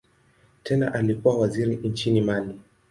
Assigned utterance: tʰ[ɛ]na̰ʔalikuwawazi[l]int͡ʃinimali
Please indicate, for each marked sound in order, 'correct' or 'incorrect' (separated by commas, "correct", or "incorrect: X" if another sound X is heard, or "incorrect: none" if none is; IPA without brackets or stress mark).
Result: correct, incorrect: ɾ